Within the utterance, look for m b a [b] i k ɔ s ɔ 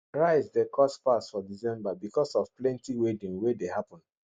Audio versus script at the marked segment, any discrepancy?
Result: no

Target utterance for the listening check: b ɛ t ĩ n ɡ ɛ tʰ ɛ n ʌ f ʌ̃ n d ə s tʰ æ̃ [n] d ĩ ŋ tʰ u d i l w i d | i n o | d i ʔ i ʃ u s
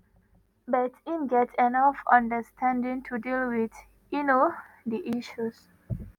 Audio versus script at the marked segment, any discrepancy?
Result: no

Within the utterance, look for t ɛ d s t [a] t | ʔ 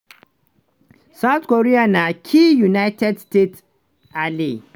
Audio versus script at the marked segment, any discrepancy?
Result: yes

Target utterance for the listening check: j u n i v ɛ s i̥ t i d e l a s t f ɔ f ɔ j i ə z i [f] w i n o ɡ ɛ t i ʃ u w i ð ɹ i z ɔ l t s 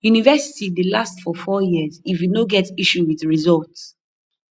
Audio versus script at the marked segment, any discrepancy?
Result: no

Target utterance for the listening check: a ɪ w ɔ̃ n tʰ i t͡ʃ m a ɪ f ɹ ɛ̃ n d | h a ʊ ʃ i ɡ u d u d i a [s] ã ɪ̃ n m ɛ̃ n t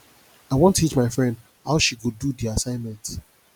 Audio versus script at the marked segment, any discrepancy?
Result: no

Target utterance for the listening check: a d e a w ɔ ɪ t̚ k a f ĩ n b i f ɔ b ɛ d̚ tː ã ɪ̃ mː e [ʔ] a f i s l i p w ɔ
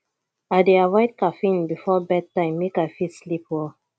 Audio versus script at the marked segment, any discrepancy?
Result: yes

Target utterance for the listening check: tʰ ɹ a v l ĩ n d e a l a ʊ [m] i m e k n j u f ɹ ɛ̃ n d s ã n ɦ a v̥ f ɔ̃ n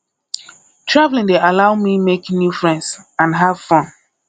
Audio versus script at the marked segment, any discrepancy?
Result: no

